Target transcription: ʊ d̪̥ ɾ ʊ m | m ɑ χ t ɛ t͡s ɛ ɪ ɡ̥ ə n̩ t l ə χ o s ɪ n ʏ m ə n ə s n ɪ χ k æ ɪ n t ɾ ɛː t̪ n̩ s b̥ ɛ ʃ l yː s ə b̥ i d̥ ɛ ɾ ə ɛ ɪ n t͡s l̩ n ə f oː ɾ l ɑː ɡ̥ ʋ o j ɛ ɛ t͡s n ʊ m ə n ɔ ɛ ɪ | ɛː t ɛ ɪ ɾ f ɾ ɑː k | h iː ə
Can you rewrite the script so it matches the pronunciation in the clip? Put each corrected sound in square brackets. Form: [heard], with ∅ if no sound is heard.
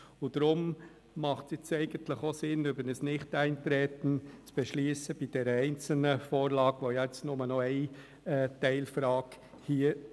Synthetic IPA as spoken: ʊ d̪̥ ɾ ʊ m | m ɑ χ t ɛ t͡s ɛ ɪ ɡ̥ ə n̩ t l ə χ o s ɪ n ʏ [b] ə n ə s n ɪ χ [t] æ ɪ n t ɾ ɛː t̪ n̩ [t͡s] b̥ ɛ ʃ l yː s ə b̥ i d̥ ɛ ɾ ə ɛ ɪ n t͡s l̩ n ə f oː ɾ l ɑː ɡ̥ ʋ o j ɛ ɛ t͡s n ʊ m ə n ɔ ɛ ɪ | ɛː t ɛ ɪ [l] f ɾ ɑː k | h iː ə